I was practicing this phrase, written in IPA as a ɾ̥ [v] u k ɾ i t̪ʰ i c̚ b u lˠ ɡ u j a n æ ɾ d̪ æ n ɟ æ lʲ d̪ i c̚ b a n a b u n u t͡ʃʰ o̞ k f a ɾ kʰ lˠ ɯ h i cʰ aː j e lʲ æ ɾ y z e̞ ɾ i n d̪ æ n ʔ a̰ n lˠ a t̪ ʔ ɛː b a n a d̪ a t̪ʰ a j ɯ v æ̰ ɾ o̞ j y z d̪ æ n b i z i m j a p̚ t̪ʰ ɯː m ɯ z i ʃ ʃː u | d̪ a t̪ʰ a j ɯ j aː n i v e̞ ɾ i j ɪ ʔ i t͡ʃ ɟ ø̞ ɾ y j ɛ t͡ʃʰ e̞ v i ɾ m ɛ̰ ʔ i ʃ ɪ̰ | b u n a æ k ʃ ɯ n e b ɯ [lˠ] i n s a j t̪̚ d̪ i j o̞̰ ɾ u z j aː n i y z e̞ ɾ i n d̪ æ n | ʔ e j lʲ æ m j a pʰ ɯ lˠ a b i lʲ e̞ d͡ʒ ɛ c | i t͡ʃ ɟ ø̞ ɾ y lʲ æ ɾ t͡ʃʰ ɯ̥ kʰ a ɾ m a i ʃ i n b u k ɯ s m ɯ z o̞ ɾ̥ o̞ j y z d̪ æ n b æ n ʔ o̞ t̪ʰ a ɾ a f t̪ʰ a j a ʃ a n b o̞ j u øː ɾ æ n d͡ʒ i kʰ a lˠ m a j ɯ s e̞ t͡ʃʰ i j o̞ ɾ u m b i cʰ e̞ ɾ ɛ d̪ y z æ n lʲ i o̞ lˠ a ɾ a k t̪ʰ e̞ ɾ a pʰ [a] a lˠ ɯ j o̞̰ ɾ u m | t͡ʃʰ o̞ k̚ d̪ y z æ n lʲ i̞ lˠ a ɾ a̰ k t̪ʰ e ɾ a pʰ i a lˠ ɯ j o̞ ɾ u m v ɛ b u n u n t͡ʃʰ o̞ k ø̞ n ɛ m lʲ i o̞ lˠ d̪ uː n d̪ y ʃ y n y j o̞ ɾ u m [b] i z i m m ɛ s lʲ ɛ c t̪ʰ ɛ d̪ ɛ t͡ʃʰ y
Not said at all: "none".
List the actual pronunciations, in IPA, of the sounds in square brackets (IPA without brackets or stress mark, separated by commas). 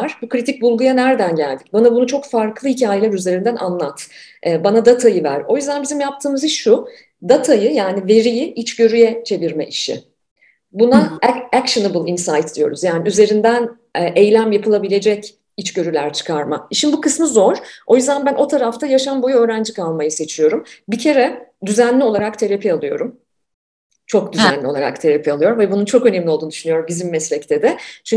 b, lˠ, i, ɟ